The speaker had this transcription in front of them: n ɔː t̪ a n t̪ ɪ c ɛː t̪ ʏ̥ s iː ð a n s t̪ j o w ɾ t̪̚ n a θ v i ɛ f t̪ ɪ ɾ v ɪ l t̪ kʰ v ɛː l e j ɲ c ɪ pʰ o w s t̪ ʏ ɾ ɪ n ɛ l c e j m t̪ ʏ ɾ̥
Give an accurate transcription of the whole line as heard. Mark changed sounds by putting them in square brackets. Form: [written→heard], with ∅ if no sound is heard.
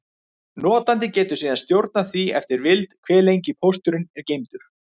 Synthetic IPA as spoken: n ɔː t̪ a n t̪ ɪ c ɛː t̪ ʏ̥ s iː ð a n s t̪ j o w ɾ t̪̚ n a θ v i ɛ f t̪ ɪ ɾ v ɪ l t̪ kʰ v ɛː l e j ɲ c ɪ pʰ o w s t̪ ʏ ɾ ɪ n ɛ [l→ɾ] c e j m t̪ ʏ ɾ̥

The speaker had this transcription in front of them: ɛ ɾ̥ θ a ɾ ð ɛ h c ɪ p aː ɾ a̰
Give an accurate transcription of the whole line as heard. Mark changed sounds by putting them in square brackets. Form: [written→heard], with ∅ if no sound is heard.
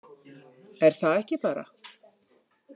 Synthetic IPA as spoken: ɛ ɾ̥ θ a [ɾ→∅] ð ɛ h c ɪ p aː ɾ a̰

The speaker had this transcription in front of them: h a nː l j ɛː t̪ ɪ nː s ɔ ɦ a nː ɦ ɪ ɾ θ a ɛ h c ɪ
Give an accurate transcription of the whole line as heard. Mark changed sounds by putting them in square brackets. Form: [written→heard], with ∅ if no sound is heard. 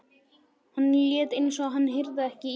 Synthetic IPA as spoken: h a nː l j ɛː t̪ ɪ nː s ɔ ɦ a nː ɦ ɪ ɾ [θ→ð] a ɛ h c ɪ

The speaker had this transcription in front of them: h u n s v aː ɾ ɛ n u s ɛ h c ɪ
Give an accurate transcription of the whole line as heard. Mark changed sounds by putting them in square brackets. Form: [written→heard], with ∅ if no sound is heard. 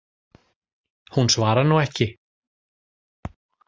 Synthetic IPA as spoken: h u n s v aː ɾ [ɛ→a] n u [s→∅] ɛ h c ɪ

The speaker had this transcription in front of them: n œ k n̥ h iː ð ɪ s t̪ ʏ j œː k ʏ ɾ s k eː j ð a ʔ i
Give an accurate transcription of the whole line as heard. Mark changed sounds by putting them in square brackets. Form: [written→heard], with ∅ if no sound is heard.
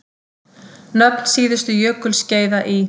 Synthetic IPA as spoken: n œ [k→p] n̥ [h→s] iː ð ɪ s t̪ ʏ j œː k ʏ [ɾ→l] s [k→c] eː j ð a ʔ i

